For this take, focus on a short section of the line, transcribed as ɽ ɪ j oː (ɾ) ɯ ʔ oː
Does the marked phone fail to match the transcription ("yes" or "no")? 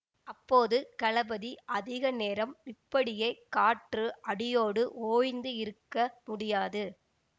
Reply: yes